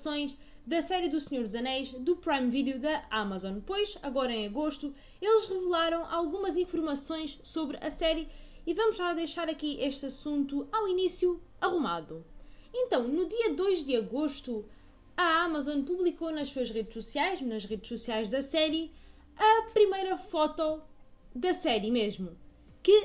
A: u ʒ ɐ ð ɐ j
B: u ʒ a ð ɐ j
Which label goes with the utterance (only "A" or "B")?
B